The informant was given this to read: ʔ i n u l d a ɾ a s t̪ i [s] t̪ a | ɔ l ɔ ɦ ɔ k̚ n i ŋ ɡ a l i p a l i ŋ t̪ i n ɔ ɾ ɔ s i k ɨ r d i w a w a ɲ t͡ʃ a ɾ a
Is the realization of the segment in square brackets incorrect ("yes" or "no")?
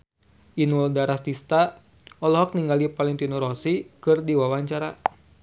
no